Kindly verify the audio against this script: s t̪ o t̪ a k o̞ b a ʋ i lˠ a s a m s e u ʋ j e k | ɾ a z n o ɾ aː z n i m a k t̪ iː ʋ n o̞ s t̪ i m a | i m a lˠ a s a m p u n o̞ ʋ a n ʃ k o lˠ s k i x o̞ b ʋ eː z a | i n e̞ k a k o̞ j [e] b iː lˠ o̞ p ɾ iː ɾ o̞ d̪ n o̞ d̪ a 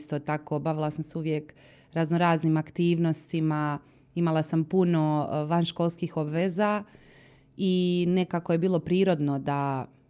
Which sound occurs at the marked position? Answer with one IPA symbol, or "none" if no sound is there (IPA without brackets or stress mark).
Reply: e